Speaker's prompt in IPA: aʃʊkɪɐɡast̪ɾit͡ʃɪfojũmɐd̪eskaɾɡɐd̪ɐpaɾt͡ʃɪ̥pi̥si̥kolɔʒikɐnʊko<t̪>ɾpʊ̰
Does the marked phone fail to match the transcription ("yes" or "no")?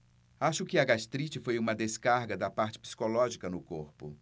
yes